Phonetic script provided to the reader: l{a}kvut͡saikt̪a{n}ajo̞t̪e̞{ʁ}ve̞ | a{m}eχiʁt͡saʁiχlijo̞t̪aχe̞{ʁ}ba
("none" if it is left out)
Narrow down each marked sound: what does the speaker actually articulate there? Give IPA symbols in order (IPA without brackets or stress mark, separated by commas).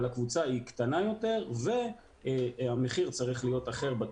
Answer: a, n, ʁ, m, ʁ